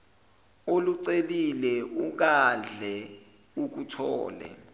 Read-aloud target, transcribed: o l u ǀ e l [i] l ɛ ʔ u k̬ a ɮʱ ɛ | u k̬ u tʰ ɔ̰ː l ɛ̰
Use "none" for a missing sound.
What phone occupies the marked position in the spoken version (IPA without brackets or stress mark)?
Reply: i